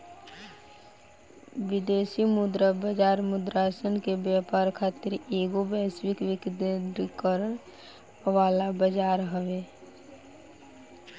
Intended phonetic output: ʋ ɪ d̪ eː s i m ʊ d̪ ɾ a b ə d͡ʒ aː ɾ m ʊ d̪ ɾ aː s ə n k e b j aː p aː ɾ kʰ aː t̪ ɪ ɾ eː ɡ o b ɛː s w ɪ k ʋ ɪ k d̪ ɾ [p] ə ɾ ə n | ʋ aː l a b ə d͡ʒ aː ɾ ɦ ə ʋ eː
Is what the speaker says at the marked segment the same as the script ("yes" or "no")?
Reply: no